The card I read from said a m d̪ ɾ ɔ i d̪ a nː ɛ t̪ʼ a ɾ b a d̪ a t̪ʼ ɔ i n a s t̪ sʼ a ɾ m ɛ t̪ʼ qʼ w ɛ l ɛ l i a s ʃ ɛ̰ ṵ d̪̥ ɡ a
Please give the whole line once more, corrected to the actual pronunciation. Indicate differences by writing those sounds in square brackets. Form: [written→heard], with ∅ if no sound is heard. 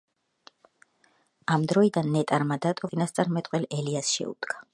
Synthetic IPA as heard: a m d̪ ɾ ɔ i d̪ a nː ɛ t̪ʼ a ɾ [b→m] a d̪ a t̪ʼ ɔ i n a s t̪ sʼ a ɾ m ɛ t̪ʼ qʼ w ɛ l ɛ l i a s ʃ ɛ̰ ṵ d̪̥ ɡ a